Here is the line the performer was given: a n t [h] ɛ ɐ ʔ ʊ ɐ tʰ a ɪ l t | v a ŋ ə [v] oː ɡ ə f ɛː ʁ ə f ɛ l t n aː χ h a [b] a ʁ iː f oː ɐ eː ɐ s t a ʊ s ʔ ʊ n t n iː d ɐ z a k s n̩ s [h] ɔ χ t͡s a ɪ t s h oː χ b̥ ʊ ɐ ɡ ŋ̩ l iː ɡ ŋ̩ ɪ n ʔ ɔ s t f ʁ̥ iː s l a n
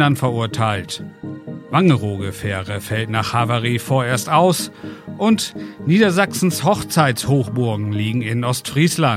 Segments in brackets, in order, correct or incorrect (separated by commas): incorrect, incorrect, incorrect, correct